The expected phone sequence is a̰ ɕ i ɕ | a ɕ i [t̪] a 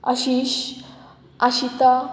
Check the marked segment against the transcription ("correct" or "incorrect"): correct